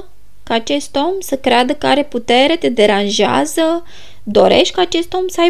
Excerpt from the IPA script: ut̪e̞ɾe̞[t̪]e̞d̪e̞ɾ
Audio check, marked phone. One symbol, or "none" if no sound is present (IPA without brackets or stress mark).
t̪